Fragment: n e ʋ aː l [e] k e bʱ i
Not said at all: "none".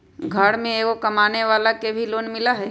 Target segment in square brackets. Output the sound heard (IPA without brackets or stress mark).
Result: a